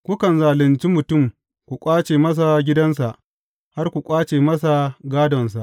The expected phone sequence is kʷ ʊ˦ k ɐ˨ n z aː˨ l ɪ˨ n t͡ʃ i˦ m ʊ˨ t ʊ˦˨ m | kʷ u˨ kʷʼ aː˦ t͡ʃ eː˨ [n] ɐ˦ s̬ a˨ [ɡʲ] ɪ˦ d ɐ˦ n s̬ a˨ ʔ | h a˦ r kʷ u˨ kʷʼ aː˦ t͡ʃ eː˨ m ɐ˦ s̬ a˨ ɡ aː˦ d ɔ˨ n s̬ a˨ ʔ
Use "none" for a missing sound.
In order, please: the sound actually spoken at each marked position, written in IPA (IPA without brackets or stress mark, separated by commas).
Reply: m, ɡʲ